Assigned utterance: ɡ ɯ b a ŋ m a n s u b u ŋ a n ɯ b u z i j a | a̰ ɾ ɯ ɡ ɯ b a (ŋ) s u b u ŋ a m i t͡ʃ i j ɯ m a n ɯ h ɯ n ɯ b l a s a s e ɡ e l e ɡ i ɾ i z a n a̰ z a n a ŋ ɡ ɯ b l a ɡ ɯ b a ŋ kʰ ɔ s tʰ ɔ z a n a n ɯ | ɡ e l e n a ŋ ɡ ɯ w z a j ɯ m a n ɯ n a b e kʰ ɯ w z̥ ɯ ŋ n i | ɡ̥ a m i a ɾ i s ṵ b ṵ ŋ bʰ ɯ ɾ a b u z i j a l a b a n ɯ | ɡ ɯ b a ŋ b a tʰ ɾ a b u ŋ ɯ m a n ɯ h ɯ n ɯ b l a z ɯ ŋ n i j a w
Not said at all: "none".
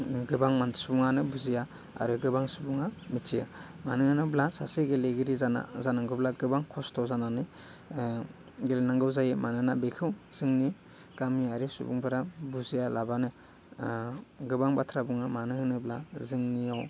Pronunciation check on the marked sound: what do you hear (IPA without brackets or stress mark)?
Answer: ŋ